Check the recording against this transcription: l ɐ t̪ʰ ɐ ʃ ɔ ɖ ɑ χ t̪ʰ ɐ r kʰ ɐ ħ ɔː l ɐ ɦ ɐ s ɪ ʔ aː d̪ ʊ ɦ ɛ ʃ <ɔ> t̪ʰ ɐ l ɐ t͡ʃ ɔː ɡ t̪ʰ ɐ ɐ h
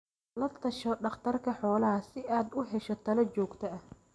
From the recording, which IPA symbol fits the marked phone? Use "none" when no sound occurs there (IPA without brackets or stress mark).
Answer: ɔ